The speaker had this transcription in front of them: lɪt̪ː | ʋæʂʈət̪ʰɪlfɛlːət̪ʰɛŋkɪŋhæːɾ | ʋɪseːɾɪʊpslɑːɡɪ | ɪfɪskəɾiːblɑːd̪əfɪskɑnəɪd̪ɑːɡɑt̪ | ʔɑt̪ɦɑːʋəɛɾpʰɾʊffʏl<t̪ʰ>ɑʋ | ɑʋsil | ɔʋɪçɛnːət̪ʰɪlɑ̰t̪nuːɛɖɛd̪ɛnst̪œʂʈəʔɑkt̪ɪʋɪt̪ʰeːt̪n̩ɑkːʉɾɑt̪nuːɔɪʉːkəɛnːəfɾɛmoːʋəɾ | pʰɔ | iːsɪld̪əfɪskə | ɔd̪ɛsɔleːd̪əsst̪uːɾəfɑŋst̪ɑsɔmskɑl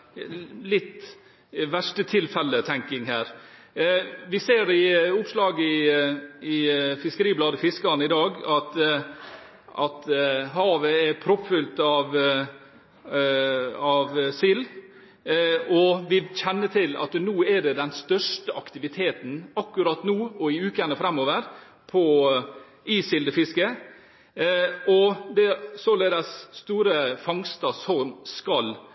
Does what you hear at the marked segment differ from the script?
yes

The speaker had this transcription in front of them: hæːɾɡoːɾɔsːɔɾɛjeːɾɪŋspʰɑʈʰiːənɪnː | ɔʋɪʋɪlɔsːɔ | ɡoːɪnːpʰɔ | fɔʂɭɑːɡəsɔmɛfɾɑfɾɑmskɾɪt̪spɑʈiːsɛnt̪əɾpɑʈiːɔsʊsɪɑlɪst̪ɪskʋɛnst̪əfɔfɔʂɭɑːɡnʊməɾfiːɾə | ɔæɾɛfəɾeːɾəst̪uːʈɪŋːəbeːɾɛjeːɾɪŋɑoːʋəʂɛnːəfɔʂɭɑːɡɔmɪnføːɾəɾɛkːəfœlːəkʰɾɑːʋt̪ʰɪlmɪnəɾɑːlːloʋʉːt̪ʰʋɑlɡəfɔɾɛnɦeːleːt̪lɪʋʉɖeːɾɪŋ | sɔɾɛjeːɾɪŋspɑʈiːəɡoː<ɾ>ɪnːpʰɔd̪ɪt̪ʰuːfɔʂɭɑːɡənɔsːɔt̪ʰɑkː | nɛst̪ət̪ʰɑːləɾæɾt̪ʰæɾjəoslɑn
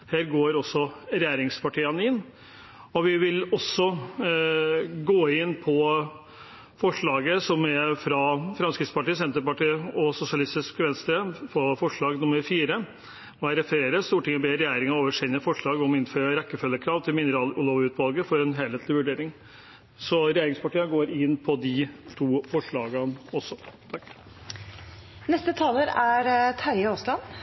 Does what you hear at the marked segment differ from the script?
no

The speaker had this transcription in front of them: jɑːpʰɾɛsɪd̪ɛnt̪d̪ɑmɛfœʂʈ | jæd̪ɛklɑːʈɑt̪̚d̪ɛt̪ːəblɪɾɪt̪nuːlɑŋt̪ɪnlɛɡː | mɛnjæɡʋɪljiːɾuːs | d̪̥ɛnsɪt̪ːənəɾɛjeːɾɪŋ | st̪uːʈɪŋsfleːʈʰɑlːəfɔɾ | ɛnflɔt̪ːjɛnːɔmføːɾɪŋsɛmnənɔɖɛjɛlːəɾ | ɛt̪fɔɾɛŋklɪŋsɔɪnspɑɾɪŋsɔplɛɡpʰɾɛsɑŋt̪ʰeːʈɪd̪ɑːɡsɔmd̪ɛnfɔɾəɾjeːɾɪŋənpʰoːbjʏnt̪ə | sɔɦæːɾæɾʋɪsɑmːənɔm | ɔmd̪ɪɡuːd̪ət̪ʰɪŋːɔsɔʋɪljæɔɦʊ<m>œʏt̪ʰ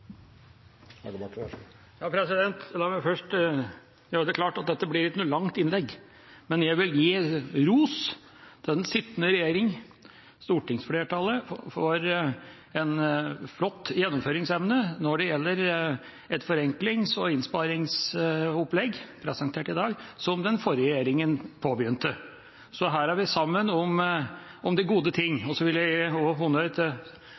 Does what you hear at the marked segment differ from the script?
yes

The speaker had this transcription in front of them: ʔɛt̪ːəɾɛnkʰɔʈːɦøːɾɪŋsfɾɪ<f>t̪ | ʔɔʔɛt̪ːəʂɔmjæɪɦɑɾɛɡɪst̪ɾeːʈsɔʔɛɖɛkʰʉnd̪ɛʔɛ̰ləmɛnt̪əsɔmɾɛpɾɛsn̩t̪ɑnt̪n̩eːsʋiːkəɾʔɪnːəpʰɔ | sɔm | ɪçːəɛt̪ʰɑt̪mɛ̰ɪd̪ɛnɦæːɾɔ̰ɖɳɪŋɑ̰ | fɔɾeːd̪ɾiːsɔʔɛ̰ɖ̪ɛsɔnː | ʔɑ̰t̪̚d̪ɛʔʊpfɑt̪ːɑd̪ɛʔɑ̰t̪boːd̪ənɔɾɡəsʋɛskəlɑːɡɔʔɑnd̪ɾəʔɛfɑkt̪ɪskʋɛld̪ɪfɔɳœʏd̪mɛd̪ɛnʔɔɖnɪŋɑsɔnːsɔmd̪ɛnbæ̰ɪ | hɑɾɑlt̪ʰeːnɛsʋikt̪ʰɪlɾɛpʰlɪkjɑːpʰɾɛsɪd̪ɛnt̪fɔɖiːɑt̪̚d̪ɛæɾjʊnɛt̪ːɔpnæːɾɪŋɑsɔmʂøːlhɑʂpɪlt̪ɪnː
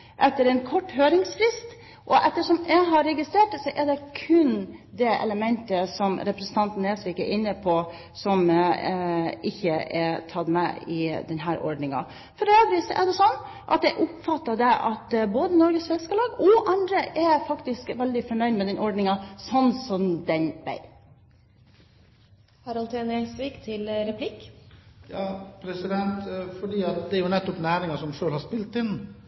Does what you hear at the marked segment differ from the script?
yes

